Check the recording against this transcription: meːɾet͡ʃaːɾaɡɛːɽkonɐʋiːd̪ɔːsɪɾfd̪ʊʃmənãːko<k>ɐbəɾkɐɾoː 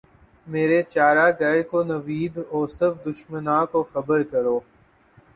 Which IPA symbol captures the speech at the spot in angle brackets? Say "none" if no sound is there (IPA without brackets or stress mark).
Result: x